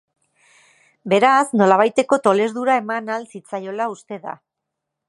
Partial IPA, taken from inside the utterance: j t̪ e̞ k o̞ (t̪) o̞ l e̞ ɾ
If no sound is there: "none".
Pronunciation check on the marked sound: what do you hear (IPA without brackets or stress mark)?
t̪